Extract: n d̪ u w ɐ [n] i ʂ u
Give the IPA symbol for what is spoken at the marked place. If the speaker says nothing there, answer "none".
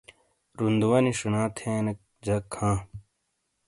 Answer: n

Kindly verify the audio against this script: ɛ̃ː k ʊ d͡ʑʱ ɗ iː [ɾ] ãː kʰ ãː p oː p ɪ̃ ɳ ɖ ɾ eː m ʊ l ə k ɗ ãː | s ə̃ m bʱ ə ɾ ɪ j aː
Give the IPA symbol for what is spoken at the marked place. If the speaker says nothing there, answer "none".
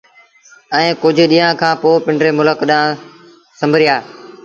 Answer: none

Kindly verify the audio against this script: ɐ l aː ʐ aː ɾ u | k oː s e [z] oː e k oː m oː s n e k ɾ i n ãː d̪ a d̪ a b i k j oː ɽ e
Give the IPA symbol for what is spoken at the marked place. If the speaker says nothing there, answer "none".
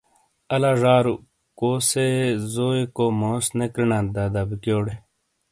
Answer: z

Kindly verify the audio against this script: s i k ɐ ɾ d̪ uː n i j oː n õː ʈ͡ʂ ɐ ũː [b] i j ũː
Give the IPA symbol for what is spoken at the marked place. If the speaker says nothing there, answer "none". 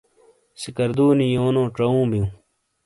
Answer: b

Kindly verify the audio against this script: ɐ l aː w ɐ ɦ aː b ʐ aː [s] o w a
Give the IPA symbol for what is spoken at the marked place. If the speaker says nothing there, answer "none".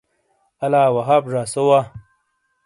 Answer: s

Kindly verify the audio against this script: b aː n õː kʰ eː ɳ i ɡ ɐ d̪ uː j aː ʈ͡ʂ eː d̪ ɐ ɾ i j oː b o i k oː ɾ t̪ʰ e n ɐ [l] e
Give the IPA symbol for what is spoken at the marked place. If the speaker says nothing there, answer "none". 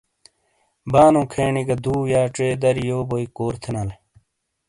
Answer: l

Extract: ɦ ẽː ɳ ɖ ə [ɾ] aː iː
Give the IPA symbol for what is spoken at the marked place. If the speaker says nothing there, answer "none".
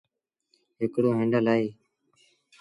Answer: l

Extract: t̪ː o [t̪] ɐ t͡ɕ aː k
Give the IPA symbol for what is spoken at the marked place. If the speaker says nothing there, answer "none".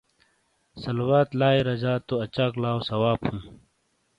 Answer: none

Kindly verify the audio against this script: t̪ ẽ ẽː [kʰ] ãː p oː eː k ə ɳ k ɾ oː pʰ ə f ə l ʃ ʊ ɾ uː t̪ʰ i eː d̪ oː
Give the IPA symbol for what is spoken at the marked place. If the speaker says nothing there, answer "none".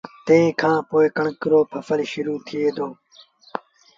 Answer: kʰ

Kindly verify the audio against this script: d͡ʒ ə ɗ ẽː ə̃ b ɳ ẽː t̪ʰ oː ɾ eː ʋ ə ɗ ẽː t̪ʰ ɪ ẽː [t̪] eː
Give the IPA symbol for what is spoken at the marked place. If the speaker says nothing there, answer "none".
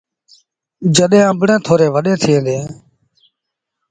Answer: d̪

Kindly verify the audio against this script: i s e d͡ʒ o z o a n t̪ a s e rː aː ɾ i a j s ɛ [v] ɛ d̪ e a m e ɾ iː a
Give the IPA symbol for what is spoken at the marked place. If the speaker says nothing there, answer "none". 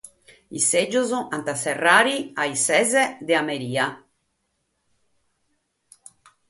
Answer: z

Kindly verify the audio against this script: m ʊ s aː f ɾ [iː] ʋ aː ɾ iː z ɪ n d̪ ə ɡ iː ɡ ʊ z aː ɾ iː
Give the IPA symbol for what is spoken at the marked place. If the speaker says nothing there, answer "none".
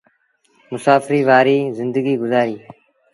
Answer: iː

